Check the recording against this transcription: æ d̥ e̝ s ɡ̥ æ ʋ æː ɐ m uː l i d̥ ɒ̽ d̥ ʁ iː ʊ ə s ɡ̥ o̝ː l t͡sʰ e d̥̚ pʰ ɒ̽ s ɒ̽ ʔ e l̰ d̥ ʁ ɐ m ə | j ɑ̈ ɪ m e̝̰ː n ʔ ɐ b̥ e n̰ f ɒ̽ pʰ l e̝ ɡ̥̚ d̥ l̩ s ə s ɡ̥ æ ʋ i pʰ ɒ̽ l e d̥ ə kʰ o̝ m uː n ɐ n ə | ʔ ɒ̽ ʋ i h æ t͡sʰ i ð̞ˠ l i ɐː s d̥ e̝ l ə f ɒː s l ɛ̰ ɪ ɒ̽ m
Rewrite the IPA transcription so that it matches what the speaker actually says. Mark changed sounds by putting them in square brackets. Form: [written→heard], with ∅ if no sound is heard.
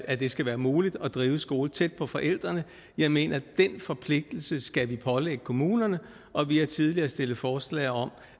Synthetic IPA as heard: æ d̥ e̝ s ɡ̥ æ ʋ æː ɐ m uː l i d̥ ɒ̽ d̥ ʁ iː ʊ ə s ɡ̥ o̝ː l t͡sʰ e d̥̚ pʰ ɒ̽ [s→f] ɒ̽ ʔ e l̰ d̥ ʁ ɐ [m→n] ə | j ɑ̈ ɪ m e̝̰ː n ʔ ɐ [b̥→d̥] e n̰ f ɒ̽ pʰ l e̝ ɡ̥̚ d̥ l̩ s ə s ɡ̥ æ ʋ i pʰ ɒ̽ l e [d̥→ɡ̥] ə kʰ o̝ m uː n ɐ n ə | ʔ ɒ̽ ʋ i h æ t͡sʰ i ð̞ˠ l i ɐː s d̥ e̝ l ə f ɒː s l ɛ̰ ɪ ɒ̽ m